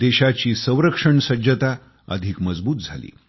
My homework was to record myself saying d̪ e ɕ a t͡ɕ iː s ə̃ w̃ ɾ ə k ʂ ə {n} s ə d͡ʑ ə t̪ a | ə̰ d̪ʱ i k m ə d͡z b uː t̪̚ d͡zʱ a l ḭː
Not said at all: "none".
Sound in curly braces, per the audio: ɳ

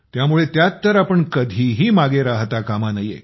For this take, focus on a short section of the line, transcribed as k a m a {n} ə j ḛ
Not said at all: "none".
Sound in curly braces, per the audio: n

